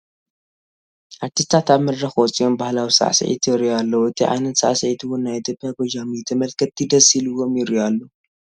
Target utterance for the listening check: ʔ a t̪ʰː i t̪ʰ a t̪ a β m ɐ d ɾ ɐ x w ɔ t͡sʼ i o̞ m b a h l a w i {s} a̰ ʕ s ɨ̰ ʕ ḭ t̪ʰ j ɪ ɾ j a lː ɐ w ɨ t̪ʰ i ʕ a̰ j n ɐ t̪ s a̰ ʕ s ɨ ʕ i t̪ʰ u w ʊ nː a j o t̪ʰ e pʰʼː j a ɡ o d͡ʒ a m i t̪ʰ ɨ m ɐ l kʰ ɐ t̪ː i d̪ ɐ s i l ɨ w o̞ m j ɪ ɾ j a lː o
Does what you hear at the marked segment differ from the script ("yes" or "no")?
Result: no